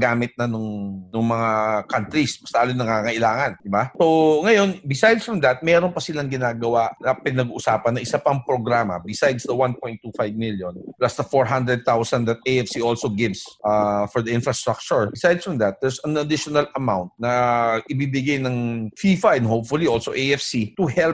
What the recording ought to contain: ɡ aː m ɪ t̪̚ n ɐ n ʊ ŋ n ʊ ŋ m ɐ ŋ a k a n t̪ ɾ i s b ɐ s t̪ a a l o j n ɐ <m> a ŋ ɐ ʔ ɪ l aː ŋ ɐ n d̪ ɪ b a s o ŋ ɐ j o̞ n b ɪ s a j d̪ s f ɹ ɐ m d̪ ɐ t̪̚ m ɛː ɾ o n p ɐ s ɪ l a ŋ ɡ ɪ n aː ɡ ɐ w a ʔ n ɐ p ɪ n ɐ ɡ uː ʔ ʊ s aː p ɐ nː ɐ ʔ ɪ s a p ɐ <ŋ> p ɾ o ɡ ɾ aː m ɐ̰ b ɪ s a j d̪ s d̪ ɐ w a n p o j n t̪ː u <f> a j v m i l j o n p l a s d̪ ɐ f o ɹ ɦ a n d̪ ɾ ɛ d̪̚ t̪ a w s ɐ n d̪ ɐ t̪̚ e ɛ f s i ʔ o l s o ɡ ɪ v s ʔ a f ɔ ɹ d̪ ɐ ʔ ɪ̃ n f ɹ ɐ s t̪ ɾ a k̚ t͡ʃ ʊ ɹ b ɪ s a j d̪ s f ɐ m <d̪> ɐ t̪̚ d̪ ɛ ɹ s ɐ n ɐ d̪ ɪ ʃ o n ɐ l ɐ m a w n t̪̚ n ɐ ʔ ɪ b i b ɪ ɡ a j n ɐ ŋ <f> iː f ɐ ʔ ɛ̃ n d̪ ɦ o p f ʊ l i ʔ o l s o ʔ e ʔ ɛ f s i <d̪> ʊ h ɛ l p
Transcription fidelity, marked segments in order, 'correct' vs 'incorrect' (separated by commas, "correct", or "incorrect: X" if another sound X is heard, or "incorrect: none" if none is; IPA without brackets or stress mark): incorrect: ŋ, correct, correct, correct, correct, incorrect: t̪